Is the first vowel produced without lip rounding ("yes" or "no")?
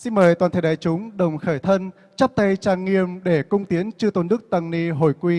yes